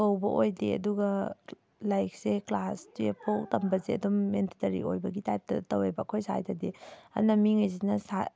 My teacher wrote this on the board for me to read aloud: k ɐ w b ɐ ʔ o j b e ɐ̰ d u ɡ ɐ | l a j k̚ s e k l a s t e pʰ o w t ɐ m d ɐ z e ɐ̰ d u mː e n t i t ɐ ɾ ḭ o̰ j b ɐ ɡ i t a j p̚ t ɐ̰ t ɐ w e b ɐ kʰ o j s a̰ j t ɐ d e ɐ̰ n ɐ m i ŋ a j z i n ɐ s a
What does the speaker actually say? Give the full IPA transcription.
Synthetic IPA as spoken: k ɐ w b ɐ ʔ o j d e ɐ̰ d u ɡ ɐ | l a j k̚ s e k l a s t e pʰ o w t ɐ m b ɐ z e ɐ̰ d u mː e n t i t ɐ ɾ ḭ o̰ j b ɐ ɡ i t a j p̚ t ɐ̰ t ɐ w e b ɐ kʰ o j s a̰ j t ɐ d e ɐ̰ n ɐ m i ŋ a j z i n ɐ s a